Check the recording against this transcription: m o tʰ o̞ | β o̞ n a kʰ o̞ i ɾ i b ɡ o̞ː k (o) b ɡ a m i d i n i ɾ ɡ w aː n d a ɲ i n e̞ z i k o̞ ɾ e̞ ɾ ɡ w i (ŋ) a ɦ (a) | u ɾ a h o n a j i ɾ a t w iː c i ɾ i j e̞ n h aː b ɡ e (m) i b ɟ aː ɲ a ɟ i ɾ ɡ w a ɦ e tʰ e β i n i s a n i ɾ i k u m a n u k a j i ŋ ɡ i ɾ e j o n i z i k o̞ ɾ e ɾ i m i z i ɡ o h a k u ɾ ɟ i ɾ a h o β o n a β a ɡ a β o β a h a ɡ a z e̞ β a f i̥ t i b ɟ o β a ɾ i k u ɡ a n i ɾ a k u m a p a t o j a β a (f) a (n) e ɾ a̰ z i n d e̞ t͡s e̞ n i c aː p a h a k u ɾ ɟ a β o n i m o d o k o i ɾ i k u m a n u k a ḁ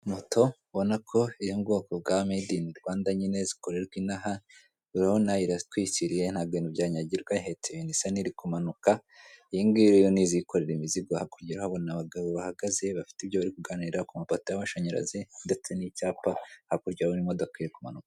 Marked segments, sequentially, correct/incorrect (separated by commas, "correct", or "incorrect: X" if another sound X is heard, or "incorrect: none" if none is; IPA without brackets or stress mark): correct, incorrect: n, correct, incorrect: n, incorrect: ʃ, incorrect: ɲ